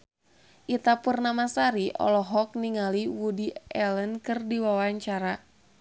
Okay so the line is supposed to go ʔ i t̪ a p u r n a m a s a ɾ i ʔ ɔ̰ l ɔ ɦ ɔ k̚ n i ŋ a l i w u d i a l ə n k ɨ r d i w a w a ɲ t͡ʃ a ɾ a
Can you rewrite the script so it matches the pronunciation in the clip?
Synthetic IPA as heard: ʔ i t̪ a p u r n a m a s a ɾ i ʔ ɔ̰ l ɔ ɦ ɔ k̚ n i ŋ a l i w u d i ɛ l ə n k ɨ r d i w a w a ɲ t͡ʃ a ɾ a